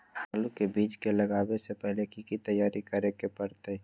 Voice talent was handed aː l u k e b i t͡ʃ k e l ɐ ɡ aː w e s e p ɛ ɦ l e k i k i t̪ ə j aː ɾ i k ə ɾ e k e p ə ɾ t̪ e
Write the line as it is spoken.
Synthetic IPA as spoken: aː l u k e b iː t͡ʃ k e l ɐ ɡ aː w e s e p ɛ ɦ l e k i k i t̪ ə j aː ɾ i k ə ɾ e k e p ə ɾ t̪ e